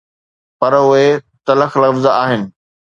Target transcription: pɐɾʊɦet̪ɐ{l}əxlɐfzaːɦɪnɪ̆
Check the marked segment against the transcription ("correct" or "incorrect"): correct